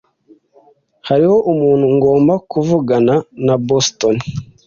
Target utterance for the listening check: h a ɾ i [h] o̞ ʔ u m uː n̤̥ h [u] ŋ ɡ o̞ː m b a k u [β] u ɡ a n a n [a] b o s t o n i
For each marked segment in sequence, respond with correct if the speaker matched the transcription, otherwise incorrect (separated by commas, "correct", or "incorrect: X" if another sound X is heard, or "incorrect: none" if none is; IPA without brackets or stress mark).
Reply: correct, correct, incorrect: v, correct